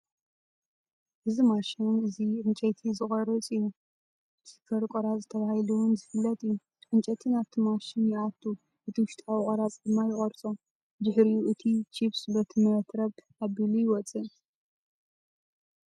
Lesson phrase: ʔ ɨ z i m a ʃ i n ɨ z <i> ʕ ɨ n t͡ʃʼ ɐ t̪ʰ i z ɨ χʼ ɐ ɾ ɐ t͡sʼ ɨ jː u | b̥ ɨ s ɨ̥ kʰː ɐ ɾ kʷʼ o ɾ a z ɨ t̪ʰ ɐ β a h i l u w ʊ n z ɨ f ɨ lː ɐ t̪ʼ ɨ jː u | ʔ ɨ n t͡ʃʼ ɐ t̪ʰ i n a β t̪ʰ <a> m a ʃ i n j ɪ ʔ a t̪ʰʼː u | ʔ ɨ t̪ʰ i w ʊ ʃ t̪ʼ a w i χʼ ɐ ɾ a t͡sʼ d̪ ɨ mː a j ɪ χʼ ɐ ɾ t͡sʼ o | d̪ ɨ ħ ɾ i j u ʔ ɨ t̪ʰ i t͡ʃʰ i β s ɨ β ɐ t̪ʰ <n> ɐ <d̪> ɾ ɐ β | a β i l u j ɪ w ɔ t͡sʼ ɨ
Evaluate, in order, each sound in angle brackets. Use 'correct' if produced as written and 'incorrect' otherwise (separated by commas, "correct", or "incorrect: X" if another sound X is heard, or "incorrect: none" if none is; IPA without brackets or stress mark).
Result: correct, incorrect: i, incorrect: m, incorrect: t̪